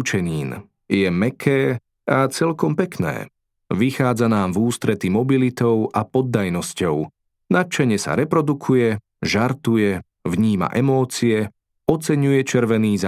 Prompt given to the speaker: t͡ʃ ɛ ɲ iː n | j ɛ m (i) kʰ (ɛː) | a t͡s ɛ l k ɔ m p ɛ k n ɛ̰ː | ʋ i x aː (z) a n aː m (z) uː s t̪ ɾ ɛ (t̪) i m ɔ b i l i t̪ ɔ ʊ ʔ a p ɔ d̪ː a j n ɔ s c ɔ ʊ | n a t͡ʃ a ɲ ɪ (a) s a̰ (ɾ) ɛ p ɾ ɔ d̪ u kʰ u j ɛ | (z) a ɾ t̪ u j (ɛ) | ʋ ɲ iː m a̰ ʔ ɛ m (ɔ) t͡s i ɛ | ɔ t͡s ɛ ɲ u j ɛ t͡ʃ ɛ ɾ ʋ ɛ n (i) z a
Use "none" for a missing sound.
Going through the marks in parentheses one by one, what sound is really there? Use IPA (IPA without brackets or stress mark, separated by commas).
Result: ɛ, ɛː, d͡z, v, t̪, ɛ, ɾ, ʒ, ɛ, ɔː, iː